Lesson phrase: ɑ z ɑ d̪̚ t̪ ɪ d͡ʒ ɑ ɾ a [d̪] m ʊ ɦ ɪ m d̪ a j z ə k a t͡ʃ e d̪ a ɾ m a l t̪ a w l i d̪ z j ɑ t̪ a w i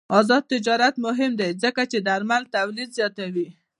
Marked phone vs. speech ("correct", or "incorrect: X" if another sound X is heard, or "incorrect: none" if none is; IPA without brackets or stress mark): incorrect: t̪